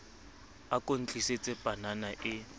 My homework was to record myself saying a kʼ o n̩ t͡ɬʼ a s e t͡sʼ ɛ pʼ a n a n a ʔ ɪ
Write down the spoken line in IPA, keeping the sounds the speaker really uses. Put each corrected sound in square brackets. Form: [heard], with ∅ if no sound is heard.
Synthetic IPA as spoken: a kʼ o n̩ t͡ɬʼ [i] s e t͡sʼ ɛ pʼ a n a n a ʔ ɪ